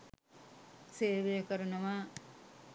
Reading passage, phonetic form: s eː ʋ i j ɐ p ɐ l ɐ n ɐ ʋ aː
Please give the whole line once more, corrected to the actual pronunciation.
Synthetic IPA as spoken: s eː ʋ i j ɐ k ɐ ɾ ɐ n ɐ ʋ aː